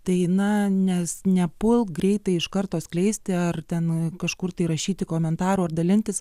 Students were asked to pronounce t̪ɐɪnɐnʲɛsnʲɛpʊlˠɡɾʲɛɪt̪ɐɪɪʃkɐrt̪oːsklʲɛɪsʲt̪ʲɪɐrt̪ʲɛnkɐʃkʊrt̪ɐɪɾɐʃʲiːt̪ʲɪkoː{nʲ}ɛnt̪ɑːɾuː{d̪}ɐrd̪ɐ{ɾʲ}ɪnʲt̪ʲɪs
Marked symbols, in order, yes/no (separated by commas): no, no, no